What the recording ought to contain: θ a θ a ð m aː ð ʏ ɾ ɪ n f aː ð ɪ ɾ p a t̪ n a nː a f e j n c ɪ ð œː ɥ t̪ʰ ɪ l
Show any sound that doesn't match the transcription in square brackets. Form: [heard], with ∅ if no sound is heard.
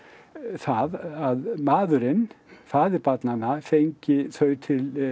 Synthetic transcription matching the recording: θ a [ð] a ð m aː ð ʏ ɾ ɪ n f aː ð ɪ ɾ p a t̪ n a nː a f e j [ɲ] c ɪ [θ] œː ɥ t̪ʰ ɪ l